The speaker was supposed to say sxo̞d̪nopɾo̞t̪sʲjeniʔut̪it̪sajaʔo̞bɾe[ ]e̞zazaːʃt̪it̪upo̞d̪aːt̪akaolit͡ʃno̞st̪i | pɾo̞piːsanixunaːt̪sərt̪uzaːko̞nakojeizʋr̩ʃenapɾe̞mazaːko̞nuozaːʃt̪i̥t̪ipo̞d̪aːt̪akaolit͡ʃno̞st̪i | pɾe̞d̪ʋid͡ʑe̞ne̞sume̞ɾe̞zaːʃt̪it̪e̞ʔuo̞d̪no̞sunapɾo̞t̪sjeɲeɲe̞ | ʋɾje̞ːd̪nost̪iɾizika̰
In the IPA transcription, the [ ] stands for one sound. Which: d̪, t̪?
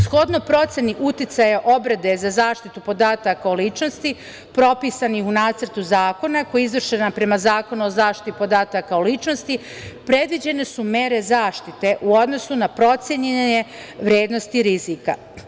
d̪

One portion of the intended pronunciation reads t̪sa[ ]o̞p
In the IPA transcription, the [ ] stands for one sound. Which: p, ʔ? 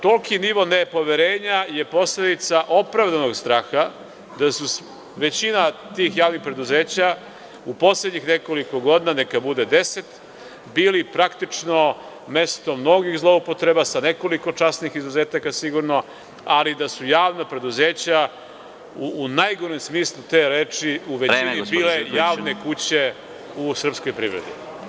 ʔ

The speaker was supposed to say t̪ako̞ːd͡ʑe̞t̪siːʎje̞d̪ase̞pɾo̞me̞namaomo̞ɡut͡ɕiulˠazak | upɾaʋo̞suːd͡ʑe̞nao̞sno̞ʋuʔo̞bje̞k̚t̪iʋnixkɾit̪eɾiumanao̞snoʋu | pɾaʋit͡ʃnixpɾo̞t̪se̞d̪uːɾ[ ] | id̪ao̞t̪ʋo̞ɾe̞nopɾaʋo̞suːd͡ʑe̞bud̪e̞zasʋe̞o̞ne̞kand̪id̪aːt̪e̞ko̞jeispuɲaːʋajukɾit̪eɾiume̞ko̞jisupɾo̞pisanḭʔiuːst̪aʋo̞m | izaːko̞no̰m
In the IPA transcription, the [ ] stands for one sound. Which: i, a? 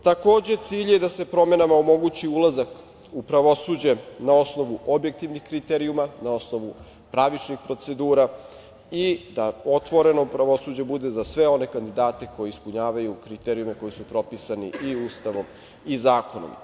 a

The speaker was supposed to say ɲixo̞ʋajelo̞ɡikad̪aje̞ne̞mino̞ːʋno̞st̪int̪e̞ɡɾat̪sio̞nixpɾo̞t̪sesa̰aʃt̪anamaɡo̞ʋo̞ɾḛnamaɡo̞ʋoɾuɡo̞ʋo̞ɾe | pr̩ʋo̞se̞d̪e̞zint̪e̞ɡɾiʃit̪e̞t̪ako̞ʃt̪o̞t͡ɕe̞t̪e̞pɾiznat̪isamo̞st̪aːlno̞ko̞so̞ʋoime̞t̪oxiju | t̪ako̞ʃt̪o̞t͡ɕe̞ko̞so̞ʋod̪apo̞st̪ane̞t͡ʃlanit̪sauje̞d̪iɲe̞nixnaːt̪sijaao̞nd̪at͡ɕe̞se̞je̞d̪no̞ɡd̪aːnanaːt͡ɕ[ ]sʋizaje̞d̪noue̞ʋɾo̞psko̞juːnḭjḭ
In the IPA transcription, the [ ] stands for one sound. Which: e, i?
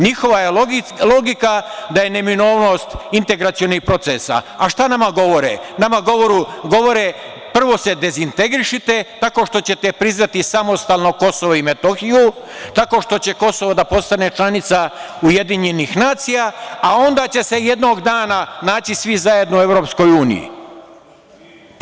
i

